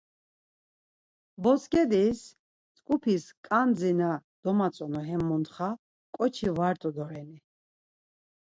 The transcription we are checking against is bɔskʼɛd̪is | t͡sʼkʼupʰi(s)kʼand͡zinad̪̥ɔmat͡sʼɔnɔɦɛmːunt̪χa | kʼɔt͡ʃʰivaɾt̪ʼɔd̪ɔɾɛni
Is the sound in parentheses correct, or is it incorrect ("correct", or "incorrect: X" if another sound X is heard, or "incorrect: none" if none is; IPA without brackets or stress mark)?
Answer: correct